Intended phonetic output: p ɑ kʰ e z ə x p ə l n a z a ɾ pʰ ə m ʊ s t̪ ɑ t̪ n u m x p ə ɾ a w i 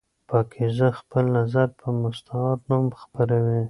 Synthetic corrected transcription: p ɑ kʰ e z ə x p ə l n a z a ɾ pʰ ə m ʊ s t̪ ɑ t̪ n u m x p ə ɾ a w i